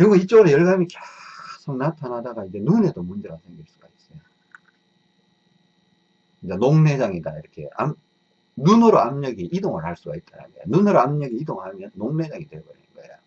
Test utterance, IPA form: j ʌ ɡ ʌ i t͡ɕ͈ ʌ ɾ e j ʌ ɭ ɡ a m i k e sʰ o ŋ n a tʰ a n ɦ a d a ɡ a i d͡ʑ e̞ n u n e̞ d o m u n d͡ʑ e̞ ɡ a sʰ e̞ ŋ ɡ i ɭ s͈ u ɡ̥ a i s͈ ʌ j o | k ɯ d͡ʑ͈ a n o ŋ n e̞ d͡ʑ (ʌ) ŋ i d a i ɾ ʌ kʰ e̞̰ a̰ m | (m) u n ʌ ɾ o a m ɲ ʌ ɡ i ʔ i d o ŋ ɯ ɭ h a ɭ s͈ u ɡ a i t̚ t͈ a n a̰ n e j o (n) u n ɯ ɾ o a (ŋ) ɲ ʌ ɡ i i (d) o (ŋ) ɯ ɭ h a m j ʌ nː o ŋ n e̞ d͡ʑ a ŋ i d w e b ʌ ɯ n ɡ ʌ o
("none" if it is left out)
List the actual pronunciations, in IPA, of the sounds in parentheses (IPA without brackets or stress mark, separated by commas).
a, n, n, m, d, ŋ